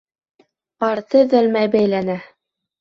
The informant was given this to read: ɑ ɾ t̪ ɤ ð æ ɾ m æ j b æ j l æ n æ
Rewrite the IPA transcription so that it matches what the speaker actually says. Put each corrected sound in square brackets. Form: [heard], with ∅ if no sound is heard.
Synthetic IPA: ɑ ɾ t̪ ɤ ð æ [l] m æ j b æ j l æ n æ

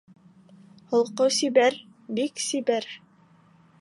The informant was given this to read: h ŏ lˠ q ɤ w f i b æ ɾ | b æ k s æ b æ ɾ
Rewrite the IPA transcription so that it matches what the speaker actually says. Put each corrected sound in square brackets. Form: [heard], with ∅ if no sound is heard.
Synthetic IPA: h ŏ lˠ q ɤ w [s] i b æ ɾ | b [i] k s [i] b æ ɾ

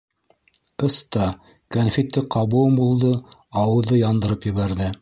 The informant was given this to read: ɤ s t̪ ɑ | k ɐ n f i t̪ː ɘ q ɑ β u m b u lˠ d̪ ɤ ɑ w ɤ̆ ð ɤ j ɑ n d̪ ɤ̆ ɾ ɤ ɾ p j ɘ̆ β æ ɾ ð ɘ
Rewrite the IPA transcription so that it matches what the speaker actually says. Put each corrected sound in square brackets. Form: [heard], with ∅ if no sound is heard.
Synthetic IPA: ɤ s t̪ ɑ | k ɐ n f i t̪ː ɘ q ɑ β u m b u lˠ d̪ ɤ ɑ w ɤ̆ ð ɤ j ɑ n d̪ ɤ̆ ɾ ɤ [∅] p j ɘ̆ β æ ɾ ð ɘ

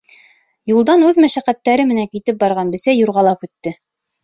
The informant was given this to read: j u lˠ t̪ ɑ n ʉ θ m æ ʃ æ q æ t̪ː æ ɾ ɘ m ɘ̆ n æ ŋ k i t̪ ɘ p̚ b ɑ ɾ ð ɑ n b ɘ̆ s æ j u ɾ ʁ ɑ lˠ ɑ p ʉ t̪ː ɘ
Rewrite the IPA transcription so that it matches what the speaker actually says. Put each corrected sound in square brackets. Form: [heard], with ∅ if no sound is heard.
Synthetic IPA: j u lˠ [d̪] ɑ n ʉ [ð] m æ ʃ æ q æ t̪ː æ ɾ ɘ m ɘ̆ n æ ŋ k i t̪ ɘ p̚ b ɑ ɾ [ʁ] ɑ n b ɘ̆ s æ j u ɾ ʁ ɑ lˠ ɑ p ʉ t̪ː ɘ

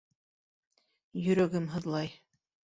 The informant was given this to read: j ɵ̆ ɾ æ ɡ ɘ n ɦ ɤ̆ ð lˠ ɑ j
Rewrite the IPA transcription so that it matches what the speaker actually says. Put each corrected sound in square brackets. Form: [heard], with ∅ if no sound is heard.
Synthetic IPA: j ɵ̆ ɾ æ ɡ ɘ [m] ɦ ɤ̆ ð lˠ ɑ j

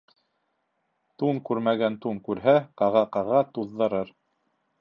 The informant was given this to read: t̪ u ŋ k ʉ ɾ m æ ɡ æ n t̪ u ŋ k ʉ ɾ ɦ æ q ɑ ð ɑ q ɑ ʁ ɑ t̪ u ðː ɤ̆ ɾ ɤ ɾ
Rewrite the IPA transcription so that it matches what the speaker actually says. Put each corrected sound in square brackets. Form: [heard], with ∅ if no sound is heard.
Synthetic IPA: t̪ u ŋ k ʉ ɾ m æ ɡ æ n t̪ u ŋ k ʉ ɾ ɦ æ q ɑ [ʁ] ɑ q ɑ ʁ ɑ t̪ u ðː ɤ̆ ɾ ɤ ɾ

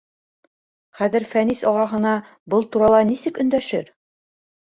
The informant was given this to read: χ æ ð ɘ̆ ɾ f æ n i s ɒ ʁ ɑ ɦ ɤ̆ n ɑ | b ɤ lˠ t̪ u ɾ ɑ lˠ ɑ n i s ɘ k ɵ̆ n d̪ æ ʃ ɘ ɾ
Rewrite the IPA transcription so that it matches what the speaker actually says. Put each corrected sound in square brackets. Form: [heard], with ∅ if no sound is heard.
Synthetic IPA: χ æ ð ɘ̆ ɾ f æ n i s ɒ ʁ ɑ ɦ ɤ̆ n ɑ | b ɤ lˠ t̪ u ɾ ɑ lˠ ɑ n i s ɘ k ɵ̆ n d̪ æ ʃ ɘ ɾ

